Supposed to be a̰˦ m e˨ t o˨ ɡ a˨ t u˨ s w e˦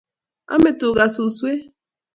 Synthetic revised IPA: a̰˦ m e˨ t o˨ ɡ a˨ s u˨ s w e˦